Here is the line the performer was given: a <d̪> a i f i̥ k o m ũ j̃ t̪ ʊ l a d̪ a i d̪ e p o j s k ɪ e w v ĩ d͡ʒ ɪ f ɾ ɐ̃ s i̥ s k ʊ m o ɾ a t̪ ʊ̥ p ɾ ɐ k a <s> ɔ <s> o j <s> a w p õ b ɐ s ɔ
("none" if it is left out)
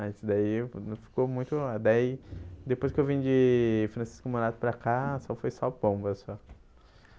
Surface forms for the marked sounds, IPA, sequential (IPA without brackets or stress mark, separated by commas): d̪, s, f, s